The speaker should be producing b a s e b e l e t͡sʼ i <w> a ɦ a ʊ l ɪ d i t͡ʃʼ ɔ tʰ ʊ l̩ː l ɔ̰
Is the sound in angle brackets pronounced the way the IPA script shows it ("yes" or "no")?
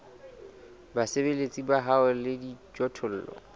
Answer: no